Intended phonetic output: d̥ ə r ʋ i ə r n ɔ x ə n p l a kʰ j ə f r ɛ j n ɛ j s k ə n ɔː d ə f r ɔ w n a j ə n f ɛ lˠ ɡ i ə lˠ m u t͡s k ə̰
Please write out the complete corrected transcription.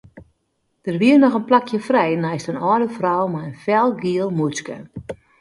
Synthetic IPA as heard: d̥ ə r ʋ i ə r n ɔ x ə n p l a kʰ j ə f r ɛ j n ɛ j s t ə n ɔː d ə f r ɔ w m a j ə n f ɛ lˠ ɡ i ə lˠ m u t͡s k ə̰

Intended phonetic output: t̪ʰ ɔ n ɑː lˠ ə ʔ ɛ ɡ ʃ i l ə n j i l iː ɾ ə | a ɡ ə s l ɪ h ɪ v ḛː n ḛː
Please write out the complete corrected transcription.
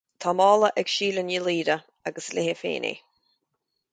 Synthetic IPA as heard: t̪ʰ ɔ m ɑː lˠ ə ʔ ɛ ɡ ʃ iː l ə n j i l iː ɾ ə | a ɡ ə s l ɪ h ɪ f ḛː n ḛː

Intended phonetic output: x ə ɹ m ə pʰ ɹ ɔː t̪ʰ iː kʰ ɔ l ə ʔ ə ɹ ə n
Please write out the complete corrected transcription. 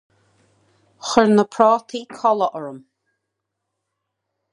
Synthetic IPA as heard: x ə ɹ n ə pʰ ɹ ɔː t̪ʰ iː kʰ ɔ l ə ʔ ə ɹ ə m

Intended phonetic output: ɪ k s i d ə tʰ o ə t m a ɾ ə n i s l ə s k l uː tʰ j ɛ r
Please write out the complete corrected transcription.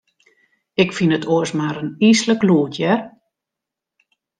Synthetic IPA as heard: ɪ k f i n ə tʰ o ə s m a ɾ ə n i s l ə k l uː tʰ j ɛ r

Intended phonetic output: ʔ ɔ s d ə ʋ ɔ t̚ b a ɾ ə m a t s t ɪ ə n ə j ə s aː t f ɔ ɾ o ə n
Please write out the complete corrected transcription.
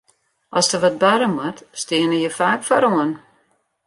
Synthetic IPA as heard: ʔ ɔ s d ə ʋ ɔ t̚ b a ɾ ə m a t s t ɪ ə n ə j ə f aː k f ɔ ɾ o ə n

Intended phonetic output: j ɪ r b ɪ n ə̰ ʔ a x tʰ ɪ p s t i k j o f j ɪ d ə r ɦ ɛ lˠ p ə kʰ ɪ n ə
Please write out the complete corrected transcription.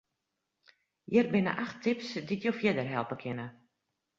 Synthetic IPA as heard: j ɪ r b ɪ n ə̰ ʔ a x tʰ ɪ p s d i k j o f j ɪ d ə r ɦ ɛ lˠ p ə kʰ ɪ n ə

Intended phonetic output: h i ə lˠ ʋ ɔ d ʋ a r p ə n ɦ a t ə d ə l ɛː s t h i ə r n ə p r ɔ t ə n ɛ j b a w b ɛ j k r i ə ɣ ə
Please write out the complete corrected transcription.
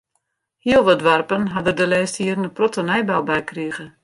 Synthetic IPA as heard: h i ə lˠ ʋ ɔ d ʋ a r p ə n ɦ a d ə d ə l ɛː s t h i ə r n ə p r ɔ t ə n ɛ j b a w b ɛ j k r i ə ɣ ə

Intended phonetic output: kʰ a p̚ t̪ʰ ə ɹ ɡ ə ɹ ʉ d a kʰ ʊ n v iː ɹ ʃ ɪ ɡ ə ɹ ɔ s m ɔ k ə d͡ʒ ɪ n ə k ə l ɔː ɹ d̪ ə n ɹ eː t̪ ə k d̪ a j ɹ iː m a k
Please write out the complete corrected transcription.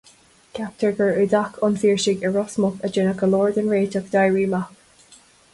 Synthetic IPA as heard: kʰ a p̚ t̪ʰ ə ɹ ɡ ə ɹ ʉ d a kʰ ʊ n f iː ɹ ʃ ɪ ɡ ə ɹ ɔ s m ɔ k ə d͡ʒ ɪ n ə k ə l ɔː ɹ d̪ ə n ɹ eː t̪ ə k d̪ a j ɹ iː m a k

